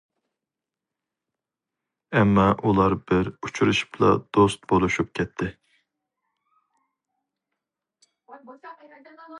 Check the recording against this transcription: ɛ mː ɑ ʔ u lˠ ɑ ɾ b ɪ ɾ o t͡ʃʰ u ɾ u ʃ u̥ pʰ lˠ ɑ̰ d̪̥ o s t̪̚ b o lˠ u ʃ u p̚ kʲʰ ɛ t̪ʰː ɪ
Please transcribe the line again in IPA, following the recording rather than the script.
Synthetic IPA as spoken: ɛ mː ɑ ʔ u lˠ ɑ ɾ b ɪ ɾ u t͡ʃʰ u ɾ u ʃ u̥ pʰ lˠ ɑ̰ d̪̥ o s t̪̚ b o lˠ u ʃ u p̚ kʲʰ ɛ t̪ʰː ɪ